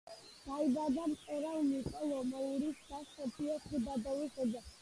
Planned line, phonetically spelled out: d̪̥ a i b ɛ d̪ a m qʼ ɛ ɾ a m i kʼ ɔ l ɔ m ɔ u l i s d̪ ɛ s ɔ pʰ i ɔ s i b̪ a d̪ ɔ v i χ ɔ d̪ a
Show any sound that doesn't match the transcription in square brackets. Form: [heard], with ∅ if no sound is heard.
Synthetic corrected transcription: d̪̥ a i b [a] d̪ a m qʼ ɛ ɾ a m i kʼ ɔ l ɔ m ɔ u [ɾ] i s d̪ [a] s ɔ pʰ i ɔ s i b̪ a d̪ ɔ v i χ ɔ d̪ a

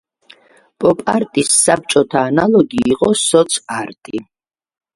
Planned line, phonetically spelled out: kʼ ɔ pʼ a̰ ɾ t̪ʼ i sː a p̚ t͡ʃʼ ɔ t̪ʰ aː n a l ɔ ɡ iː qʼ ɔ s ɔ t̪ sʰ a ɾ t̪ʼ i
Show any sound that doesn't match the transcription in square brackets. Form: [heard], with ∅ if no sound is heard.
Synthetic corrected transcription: [pʼ] ɔ pʼ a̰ ɾ t̪ʼ i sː a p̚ t͡ʃʼ ɔ t̪ʰ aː n a l ɔ ɡ iː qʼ ɔ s ɔ t̪ sʰ a ɾ t̪ʼ i

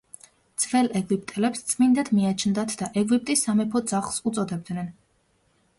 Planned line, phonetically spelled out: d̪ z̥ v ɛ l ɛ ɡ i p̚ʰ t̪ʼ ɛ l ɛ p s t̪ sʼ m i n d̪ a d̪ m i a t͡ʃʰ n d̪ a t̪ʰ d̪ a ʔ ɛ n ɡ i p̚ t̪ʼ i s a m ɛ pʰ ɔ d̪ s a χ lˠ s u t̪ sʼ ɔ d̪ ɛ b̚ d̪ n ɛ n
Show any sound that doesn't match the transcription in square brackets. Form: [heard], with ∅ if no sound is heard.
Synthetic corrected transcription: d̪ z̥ v ɛ l ɛ ɡ i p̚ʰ t̪ʼ ɛ l ɛ p s t̪ sʼ m i n d̪ a d̪ m i a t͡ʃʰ n d̪ a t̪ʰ d̪ a ʔ ɛ [∅] ɡ i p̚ t̪ʼ i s a m ɛ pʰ ɔ d̪ [z] a χ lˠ s u t̪ sʼ ɔ d̪ ɛ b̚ d̪ n ɛ n

